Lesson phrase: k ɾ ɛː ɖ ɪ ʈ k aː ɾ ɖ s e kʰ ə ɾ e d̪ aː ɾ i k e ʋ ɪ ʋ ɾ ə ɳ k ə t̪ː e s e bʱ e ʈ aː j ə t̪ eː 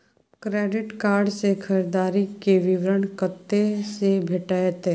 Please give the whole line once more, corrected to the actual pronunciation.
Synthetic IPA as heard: k ɾ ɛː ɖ ɪ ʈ k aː ɾ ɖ s e kʰ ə ɾ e d̪ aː ɾ i k e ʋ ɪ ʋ ɾ ə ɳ k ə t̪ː e s e bʱ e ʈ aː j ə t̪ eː

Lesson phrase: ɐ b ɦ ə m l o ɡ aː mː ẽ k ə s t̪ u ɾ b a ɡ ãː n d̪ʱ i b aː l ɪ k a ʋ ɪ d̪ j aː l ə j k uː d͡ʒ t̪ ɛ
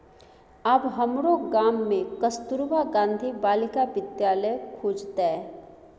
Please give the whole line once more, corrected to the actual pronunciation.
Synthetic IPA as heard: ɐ b ɦ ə m ɾ o ɡ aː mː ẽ k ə s t̪ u ɾ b a ɡ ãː n d̪ʱ i b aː l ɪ k a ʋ ɪ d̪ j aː l ə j kʰ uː d͡ʒ t̪ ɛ

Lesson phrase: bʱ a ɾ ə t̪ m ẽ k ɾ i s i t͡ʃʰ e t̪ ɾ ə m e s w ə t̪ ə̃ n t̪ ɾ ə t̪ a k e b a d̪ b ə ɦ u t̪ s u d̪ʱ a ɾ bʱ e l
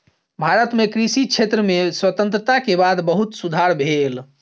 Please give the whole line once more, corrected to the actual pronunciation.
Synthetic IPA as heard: bʱ a ɾ ə t̪ m e k ɾ i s i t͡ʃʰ e t̪ ɾ ə m e s w ə t̪ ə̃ n t̪ ɾ ə t̪ a k e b a d̪ b ə ɦ u t̪ s u d̪ʱ a ɾ bʱ e l

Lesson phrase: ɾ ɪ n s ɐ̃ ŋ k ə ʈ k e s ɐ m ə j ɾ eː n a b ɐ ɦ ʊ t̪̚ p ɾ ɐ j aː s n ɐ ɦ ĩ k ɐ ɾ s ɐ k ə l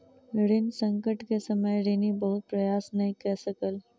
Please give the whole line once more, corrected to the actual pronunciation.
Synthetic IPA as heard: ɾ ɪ n s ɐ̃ ŋ k ə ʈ k e s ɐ m ə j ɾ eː n i b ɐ ɦ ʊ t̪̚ p ɾ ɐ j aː s n ɐ ɦ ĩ k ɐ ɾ s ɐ k ə l

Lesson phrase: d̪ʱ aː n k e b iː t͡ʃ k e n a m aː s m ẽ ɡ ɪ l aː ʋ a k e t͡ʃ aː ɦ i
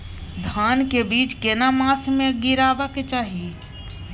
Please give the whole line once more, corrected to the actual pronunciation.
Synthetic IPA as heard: d̪ʱ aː n k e b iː t͡ʃ k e n a m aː s m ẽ ɡ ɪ ɾ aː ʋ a k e t͡ʃ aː ɦ i

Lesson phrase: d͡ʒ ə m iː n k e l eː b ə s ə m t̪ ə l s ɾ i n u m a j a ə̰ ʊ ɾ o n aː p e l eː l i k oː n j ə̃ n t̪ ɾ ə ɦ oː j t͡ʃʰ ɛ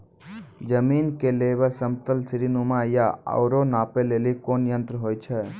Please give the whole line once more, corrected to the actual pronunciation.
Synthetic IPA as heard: d͡ʒ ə m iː n k e l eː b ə s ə m t̪ ə l s ɾ i n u m a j a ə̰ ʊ ɾ o n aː p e l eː l i k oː n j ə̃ n t̪ ɾ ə ɦ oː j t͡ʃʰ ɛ

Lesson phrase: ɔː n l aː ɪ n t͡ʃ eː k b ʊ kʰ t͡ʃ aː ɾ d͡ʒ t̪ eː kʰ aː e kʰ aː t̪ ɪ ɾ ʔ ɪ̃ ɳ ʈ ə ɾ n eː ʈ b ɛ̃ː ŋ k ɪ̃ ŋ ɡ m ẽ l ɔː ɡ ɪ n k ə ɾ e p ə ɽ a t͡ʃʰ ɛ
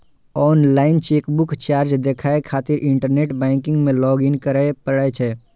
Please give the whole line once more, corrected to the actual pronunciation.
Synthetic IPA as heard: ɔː n l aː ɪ n t͡ʃ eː k b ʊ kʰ t͡ʃ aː ɾ d͡ʒ d̪ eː kʰ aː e kʰ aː t̪ ɪ ɾ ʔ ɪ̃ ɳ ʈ ə ɾ n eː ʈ b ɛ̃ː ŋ k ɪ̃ ŋ ɡ m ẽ l ɔː ɡ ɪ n k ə ɾ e p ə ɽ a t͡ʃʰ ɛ

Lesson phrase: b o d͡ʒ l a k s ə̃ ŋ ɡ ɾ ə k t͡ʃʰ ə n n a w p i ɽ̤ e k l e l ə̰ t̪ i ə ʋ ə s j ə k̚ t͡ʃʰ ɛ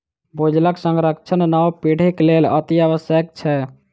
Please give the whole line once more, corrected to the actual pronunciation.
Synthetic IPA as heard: b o d͡ʒ l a k s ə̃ ŋ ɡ ɾ ə k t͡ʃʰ ə n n a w p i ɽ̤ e k l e l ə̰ t̪ i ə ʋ ə s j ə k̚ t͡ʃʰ ɛ

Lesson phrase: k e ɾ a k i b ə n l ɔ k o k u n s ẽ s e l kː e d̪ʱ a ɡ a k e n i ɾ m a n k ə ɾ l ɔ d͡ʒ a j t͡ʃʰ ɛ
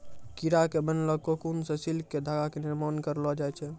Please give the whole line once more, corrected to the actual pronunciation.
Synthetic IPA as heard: k i ɾ a k e b ə n l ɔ k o k u n s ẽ s i l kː e d̪ʱ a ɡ a k e n i ɾ m a n k ə ɾ l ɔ d͡ʒ a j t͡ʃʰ ɛ

